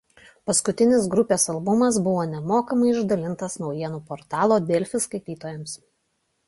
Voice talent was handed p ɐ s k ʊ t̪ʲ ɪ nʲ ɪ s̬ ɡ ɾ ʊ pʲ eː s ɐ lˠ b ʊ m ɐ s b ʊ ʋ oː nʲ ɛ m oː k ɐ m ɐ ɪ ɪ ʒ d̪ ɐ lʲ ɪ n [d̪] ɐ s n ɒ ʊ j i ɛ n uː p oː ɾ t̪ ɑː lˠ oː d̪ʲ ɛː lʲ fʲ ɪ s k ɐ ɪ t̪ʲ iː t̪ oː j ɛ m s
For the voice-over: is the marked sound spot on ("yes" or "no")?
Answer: no